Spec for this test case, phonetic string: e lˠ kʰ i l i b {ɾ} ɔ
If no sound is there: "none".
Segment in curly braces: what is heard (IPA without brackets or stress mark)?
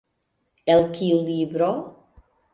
ɾ